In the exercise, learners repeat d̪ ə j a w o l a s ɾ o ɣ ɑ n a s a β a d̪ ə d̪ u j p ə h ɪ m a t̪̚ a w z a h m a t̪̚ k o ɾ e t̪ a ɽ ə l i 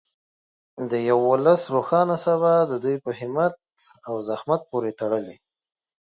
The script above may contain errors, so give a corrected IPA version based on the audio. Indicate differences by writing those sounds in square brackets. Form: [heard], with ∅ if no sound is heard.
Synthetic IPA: d̪ ə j a w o l a s ɾ o [x] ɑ n a s a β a d̪ ə d̪ u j p ə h ɪ m a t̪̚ a w z a h m a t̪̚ [p] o ɾ e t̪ a ɽ ə l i